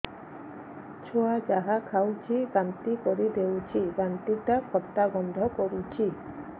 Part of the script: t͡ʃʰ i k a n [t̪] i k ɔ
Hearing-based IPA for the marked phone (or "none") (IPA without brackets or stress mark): t̪